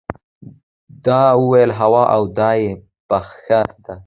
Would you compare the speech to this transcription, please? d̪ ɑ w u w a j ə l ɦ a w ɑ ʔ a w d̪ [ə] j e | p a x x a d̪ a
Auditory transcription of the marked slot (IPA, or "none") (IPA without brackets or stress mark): ɑ